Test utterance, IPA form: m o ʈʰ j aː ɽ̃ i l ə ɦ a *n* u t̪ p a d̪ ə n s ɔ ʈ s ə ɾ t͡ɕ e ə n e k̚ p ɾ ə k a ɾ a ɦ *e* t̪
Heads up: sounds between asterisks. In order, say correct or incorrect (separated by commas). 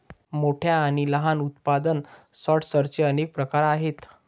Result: correct, correct